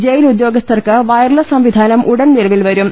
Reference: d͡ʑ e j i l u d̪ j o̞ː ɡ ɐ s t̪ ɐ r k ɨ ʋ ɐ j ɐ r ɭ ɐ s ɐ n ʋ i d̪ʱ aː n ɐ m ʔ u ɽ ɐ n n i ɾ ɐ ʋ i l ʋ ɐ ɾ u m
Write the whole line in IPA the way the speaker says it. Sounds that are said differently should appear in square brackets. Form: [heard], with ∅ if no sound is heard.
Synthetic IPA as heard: d͡ʑ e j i l u d̪ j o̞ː ɡ ɐ s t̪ ɐ r k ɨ ʋ ɐ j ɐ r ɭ ɐ s ɐ [m] ʋ i d̪ʱ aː n ɐ m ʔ u ɽ ɐ n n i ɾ ɐ ʋ i l ʋ ɐ ɾ u m